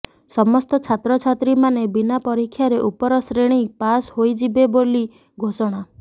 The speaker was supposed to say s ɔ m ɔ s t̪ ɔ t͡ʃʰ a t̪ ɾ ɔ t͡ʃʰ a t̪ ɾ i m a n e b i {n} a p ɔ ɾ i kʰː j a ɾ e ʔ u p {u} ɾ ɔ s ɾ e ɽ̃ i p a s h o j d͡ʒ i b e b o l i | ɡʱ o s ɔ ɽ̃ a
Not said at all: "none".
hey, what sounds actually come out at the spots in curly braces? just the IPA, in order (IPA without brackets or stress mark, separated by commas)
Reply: n, ɔ